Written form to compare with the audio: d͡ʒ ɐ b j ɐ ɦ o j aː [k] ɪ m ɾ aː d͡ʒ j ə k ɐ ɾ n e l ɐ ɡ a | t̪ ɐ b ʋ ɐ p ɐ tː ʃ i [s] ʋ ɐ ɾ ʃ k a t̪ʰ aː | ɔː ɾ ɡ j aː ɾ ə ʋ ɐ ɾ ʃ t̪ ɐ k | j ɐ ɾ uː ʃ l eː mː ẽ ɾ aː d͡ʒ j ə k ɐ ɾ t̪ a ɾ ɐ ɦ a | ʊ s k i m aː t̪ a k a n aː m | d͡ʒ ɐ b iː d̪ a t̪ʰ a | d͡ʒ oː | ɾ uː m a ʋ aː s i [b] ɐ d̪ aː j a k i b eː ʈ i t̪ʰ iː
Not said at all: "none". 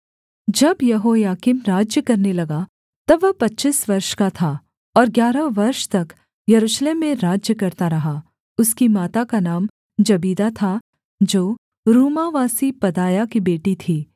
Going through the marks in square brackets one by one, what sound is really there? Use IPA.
k, s, p

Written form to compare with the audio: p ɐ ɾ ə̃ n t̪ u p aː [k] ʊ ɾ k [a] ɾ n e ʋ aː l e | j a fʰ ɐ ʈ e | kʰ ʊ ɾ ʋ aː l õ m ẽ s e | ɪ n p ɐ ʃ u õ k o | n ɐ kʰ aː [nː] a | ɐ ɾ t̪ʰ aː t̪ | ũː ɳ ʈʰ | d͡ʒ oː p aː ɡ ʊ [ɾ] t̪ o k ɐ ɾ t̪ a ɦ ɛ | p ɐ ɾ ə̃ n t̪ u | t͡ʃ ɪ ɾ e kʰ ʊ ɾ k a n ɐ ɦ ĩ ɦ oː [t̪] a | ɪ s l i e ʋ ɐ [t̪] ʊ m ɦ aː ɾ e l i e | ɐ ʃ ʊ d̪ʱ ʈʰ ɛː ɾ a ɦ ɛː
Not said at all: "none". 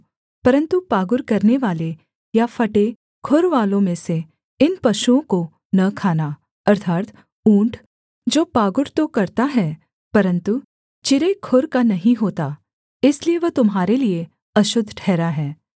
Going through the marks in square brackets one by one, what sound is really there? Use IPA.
ɡ, ɐ, n, ɾ, t̪, t̪

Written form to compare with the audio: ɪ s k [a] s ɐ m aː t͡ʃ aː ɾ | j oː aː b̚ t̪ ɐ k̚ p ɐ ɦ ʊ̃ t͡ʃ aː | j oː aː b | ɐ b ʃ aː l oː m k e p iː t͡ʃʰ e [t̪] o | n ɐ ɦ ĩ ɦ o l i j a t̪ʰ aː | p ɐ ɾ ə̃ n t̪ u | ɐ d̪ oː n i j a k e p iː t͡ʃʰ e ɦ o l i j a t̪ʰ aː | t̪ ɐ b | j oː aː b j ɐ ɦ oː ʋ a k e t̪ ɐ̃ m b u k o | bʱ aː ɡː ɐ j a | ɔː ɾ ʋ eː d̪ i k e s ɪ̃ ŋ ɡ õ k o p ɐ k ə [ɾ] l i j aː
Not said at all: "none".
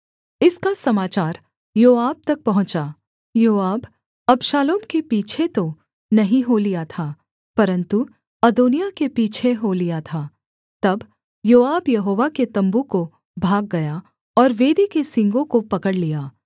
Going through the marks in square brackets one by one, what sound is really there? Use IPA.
a, t̪, ɽ

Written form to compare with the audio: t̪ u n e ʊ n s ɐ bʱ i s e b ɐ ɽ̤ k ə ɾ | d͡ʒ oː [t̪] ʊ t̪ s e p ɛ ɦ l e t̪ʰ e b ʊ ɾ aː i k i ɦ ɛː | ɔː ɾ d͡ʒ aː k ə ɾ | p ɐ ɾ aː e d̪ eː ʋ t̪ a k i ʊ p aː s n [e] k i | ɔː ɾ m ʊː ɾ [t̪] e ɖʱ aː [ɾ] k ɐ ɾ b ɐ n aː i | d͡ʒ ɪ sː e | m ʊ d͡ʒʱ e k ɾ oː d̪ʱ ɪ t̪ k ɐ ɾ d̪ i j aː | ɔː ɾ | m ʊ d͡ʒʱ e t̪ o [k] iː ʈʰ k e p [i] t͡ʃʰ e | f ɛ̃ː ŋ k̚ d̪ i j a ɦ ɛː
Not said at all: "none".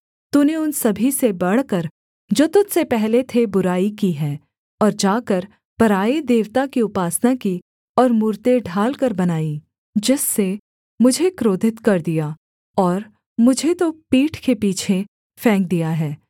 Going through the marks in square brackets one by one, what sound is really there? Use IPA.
t̪, a, t̪, l, p, iː

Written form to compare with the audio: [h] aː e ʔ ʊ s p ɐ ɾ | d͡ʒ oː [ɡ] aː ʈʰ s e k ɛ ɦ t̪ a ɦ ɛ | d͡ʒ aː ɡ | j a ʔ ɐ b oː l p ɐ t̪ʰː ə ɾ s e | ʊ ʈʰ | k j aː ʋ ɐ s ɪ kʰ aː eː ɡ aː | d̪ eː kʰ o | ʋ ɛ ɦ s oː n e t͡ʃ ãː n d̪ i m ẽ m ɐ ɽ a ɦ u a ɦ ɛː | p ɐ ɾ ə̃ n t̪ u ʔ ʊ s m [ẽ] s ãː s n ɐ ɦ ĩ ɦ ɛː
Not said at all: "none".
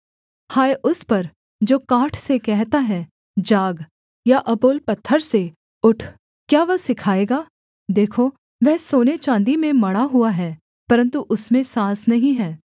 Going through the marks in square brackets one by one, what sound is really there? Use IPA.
h, k, ẽ

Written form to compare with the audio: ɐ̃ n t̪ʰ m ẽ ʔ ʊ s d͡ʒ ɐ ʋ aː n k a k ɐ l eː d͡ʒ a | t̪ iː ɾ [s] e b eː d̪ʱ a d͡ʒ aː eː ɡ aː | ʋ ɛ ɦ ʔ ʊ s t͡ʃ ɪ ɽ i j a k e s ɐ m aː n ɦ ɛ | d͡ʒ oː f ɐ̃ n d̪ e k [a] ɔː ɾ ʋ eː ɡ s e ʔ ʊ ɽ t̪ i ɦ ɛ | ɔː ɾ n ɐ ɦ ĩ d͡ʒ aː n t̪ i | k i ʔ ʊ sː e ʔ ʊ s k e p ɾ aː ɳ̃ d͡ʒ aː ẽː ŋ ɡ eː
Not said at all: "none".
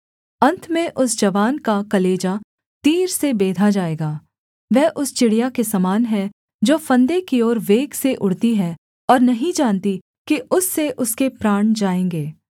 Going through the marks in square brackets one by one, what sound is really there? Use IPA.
s, i

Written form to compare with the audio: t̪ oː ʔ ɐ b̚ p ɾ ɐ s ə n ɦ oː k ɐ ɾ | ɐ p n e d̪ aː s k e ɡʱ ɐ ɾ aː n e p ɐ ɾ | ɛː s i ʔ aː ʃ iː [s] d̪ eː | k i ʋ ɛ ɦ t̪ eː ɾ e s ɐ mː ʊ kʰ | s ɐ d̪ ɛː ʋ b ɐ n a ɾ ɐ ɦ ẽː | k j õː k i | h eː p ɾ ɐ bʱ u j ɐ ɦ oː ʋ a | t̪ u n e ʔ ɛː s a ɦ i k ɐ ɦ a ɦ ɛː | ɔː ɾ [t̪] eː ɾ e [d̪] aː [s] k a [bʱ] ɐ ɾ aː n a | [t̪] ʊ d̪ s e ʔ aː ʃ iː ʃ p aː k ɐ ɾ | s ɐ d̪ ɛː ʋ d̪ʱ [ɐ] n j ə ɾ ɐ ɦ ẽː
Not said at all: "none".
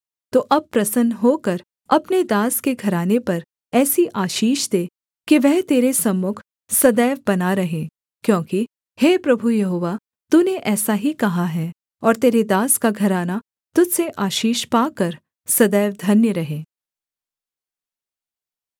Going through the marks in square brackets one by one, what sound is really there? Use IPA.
ʃ, t̪, d̪, s, ɡʱ, t̪, ɐ

